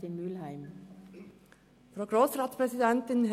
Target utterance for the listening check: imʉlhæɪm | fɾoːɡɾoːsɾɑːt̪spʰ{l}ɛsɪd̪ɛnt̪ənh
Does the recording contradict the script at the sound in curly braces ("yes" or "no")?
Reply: yes